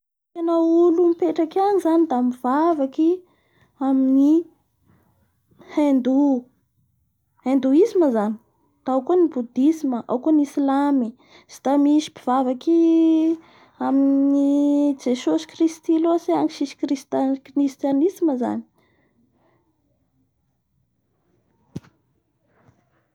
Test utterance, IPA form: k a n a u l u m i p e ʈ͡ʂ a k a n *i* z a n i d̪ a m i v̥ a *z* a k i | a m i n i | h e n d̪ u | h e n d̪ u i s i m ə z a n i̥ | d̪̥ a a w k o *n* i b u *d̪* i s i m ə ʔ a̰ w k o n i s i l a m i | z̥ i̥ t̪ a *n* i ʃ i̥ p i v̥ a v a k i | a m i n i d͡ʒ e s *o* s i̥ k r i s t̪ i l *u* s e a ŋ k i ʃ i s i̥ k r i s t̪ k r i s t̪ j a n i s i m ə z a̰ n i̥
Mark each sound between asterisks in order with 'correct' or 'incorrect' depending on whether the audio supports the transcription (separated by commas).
correct, incorrect, correct, correct, incorrect, correct, incorrect